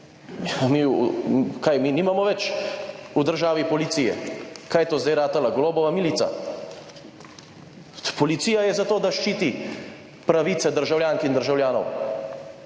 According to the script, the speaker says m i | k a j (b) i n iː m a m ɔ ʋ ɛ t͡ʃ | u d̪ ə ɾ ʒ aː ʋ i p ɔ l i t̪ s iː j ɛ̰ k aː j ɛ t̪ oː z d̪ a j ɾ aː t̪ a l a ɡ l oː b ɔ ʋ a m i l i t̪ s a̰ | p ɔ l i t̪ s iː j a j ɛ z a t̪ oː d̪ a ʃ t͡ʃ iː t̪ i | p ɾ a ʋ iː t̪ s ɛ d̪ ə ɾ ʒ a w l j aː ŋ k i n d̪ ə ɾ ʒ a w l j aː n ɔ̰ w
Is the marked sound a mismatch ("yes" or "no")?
yes